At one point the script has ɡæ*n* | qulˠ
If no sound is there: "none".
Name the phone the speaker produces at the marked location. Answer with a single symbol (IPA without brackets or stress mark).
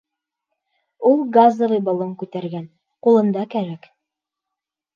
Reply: n